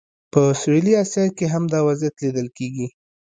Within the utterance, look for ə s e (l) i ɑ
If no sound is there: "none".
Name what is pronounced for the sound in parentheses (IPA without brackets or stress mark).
l